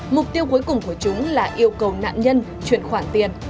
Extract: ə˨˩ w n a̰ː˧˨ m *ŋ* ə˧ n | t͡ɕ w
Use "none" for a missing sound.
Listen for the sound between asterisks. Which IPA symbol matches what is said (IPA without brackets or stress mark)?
ɲ